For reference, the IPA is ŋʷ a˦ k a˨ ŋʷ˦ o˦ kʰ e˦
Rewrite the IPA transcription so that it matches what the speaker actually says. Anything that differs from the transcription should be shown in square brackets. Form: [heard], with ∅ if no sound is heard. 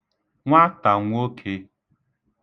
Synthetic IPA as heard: ŋʷ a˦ [t] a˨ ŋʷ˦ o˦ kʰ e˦

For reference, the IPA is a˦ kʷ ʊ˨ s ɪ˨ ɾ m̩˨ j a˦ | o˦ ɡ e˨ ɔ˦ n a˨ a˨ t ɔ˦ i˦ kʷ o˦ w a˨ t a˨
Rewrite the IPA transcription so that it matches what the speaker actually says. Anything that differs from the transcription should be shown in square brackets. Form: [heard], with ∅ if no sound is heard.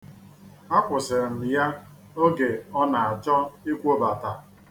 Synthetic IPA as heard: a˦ kʷ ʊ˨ s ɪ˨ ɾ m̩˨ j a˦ | o˦ ɡ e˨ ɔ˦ n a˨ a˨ [t͡ʃ] ɔ˦ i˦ kʷ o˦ [b] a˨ t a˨

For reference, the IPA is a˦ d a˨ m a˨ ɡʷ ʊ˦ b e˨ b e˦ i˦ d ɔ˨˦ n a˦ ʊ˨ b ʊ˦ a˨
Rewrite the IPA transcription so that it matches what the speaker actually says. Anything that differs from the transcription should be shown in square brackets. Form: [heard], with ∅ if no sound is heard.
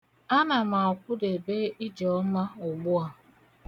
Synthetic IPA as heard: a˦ [n] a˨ m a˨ [kʷ] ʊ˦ [d] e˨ b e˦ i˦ [d͡ʒ] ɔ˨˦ [m] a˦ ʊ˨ [ɡ͡b] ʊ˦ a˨

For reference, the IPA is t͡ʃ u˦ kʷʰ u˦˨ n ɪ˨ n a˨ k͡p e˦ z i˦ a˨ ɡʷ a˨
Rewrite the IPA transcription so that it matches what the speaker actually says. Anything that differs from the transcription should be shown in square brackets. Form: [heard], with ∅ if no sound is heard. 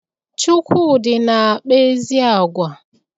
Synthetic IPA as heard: t͡ʃ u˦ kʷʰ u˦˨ [d] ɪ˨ n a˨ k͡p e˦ z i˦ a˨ ɡʷ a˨

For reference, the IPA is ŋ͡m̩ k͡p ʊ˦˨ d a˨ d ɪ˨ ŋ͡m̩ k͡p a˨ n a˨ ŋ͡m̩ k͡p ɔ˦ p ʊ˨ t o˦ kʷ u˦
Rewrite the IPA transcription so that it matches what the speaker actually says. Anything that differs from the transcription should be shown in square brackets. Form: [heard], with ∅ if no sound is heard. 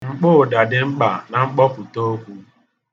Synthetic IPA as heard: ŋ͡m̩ k͡p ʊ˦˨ d a˨ d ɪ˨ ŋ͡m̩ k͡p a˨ n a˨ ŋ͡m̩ k͡p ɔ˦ p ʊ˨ t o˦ kʷ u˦

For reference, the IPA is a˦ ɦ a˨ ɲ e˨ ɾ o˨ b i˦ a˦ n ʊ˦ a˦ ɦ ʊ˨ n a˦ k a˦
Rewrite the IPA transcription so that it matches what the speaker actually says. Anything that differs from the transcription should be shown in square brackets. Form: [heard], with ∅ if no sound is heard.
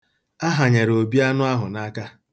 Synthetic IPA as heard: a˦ ɦ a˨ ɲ e˨ ɾ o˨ b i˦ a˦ n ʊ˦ a˦ ɦ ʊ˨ n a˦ k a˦

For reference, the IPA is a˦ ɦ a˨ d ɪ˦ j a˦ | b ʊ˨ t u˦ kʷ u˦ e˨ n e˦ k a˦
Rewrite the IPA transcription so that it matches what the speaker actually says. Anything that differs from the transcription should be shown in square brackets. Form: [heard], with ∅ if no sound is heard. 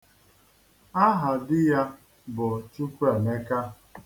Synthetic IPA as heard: a˦ ɦ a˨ d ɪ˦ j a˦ | b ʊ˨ [t͡ʃ] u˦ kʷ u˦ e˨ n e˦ k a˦

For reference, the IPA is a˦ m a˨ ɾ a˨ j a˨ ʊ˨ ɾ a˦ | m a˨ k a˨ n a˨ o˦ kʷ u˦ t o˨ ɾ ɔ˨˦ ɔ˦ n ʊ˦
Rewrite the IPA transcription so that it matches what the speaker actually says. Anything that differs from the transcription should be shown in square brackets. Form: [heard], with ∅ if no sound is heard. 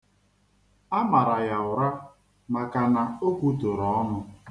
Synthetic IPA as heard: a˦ m a˨ ɾ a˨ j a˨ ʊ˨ ɾ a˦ | m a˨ k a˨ n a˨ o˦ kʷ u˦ t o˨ ɾ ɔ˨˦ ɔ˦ n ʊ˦

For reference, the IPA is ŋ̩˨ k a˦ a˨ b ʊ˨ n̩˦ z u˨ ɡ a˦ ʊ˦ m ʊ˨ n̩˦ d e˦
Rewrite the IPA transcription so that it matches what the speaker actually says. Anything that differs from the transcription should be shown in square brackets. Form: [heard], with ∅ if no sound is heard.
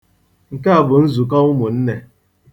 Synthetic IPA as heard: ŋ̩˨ k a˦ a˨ b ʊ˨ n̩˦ z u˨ [k] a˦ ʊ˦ m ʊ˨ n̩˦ [n] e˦

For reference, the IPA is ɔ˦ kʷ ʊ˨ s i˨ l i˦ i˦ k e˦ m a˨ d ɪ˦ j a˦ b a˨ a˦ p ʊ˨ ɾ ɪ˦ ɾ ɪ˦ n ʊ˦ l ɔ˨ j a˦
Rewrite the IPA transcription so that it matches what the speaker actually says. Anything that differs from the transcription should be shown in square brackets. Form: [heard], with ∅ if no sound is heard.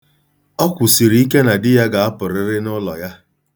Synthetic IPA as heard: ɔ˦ kʷ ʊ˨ s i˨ [ɾ] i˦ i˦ k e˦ [n] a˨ d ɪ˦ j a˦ [ɡ] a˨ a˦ p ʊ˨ ɾ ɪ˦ ɾ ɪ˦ n ʊ˦ l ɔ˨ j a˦

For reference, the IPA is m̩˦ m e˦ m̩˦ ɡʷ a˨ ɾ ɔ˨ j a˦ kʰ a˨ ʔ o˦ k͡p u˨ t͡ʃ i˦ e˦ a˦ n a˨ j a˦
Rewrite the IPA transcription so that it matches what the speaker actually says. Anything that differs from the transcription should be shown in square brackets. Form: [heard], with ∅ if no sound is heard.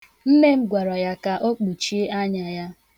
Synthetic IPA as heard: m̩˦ m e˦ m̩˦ ɡʷ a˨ ɾ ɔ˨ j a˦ [k] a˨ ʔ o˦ k͡p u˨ t͡ʃ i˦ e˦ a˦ [ɲ] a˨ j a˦

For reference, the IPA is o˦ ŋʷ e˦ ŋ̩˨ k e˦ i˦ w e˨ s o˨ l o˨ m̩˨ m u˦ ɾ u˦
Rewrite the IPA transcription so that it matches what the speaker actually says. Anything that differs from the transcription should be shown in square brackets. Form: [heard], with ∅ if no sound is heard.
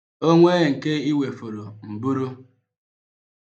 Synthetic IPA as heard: o˦ ŋʷ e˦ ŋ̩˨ k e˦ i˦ w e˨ [f] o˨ [ɾ] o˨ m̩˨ [b] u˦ ɾ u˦

